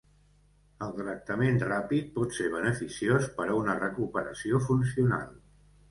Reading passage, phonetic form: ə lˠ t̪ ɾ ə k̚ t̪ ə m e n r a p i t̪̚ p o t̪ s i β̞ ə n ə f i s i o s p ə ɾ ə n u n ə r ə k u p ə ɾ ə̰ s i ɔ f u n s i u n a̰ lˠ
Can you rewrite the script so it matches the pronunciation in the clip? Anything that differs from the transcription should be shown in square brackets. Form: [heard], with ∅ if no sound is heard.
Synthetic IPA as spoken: ə lˠ t̪ ɾ ə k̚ t̪ ə m e n r a p i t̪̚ p [ɔ] t̪ s [e] β̞ ə n ə f i s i o s p ə ɾ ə [∅] u n ə r ə k u p ə ɾ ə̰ s i [o] f u n s i u n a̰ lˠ